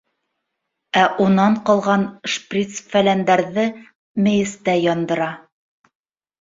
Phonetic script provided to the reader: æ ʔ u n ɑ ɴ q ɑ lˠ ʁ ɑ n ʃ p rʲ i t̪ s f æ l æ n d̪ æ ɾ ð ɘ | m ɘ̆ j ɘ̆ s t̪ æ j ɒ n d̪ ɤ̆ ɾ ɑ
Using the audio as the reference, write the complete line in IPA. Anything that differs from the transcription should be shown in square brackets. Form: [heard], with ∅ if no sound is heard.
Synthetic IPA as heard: æ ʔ u n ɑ ɴ q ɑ lˠ ʁ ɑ n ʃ p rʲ i t̪ s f æ l æ n d̪ æ ɾ ð ɘ | m ɘ̆ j ɘ̆ s t̪ æ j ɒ n d̪ ɤ̆ ɾ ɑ